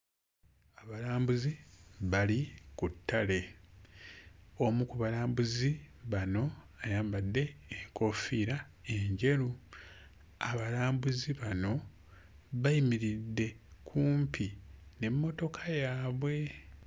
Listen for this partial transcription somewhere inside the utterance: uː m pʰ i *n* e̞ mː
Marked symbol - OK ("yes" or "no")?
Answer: yes